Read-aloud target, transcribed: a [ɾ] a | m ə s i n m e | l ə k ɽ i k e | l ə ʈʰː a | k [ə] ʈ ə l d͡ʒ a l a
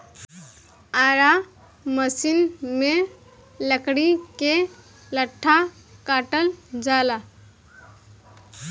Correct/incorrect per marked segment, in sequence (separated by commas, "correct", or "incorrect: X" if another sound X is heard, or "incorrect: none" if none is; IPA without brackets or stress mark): correct, incorrect: a